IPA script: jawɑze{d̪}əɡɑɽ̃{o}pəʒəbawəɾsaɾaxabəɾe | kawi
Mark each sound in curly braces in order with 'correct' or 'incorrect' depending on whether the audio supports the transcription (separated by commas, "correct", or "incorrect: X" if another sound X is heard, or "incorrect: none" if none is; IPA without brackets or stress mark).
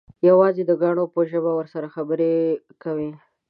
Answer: correct, correct